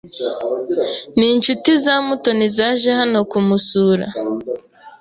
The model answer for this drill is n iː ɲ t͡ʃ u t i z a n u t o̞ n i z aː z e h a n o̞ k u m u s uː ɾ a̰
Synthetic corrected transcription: n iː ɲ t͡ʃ u t i z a m u t o̞ n i z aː ʒ e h a n o̞ k u m u s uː ɾ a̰